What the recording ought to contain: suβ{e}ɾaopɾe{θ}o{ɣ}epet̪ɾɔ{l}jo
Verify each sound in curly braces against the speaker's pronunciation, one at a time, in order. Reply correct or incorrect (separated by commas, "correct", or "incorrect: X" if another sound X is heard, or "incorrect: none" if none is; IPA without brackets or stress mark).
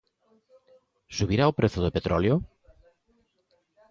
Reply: incorrect: i, correct, incorrect: ð, correct